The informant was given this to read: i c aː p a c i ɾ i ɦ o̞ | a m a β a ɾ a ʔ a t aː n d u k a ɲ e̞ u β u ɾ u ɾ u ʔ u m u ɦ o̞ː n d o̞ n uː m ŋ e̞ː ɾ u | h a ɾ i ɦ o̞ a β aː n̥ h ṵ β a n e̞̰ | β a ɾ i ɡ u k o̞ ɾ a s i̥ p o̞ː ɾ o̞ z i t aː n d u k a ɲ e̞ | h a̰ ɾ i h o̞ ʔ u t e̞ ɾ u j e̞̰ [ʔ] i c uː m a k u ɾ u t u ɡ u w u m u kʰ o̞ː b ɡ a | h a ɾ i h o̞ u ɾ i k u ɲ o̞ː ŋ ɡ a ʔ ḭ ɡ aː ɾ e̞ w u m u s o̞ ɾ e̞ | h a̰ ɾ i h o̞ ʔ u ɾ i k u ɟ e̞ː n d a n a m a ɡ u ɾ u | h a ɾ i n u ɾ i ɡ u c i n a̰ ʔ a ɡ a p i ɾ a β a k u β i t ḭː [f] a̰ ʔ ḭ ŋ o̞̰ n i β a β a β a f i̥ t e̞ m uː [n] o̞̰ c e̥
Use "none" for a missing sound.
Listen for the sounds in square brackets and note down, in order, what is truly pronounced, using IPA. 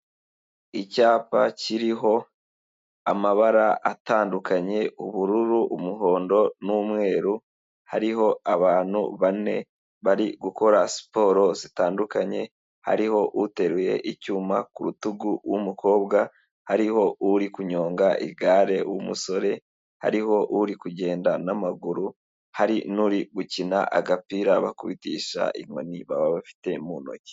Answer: ʔ, ʃ, n

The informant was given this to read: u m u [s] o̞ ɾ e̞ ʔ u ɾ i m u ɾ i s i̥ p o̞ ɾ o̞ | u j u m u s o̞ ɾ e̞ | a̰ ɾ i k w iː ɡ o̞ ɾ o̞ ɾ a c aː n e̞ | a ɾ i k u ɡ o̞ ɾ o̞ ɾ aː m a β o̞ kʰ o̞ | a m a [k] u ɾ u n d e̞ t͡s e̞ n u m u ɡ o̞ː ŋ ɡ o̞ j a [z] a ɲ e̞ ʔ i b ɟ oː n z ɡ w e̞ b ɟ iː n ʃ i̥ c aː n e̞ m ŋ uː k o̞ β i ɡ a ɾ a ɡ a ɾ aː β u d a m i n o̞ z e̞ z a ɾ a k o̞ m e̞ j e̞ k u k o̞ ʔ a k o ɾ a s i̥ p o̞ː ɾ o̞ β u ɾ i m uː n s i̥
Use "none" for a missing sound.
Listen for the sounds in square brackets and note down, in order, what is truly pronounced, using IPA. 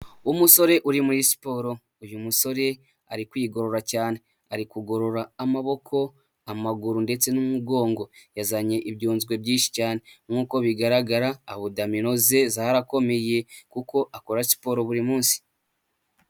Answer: s, ɡ, z

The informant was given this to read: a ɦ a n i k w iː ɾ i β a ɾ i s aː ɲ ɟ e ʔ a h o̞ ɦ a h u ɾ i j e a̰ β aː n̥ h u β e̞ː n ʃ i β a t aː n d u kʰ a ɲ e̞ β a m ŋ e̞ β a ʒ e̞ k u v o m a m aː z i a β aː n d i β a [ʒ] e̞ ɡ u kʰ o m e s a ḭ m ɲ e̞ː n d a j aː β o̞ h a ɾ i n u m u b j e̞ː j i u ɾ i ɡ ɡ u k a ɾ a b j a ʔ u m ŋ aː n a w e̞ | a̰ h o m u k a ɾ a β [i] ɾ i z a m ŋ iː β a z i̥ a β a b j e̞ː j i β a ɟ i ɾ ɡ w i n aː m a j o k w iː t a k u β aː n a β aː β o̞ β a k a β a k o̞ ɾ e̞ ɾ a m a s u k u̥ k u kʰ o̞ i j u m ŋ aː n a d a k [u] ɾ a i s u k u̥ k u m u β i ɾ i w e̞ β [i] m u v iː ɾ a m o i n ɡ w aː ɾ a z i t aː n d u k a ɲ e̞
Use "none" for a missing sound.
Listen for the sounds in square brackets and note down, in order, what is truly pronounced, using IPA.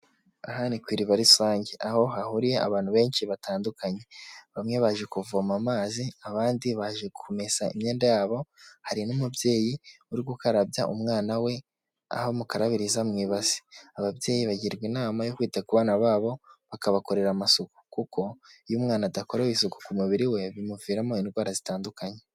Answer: ʒ, i, o, i

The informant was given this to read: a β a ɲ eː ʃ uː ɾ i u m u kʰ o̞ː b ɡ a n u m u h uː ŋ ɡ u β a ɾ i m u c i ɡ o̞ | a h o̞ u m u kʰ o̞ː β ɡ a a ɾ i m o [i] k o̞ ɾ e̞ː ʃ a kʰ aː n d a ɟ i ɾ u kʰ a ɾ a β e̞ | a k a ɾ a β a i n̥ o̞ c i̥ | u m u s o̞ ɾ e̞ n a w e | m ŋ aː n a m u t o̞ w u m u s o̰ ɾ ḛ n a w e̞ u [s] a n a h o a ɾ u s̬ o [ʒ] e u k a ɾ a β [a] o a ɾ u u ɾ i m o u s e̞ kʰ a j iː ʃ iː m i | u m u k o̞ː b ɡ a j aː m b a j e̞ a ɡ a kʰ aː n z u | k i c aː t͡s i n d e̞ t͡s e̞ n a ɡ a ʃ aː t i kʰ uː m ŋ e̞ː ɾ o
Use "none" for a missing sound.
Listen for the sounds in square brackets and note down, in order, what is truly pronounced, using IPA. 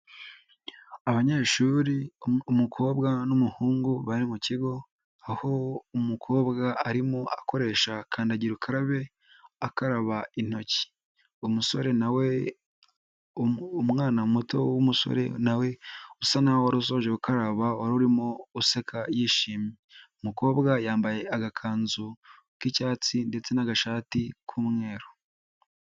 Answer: a, s, ʒ, a

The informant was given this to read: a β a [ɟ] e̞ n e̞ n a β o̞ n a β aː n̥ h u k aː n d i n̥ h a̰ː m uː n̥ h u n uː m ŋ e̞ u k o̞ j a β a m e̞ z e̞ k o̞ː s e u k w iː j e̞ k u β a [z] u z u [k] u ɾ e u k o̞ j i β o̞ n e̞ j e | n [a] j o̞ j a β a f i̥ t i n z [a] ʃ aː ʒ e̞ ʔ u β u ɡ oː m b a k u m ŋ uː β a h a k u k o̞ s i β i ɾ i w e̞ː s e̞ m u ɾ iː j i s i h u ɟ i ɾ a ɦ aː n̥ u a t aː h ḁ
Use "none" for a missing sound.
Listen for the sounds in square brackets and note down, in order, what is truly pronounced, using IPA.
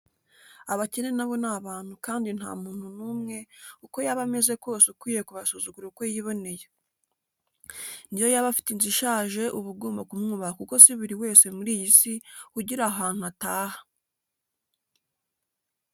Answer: c, s, ɡ, i, i

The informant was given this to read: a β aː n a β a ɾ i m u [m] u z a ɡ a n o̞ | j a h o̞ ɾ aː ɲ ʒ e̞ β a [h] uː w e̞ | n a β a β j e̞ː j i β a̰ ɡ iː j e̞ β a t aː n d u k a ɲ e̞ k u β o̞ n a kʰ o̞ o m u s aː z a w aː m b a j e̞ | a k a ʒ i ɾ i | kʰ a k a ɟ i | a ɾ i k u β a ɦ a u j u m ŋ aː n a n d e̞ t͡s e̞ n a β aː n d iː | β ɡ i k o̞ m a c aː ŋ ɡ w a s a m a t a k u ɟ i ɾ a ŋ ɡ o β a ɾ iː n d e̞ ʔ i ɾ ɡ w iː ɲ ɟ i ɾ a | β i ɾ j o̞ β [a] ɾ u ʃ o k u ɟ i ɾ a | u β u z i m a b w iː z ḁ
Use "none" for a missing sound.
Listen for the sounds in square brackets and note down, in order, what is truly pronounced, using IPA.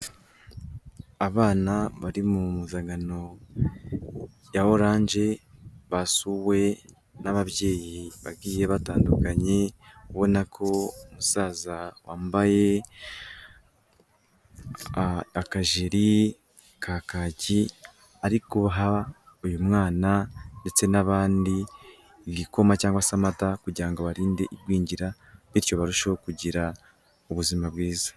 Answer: m, s, a

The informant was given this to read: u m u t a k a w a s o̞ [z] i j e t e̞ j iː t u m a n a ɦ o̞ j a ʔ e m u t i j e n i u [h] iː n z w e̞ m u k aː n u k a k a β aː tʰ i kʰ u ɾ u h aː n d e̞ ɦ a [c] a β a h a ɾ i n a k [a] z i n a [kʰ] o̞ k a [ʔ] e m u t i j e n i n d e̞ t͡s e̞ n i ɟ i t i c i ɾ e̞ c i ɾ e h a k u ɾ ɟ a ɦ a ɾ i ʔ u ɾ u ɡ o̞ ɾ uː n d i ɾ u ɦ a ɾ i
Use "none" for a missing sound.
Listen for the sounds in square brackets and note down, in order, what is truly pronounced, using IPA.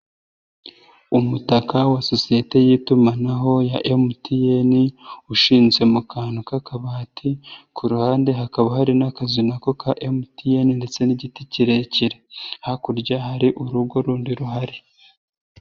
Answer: s, ʃ, k, a, k, ʔ

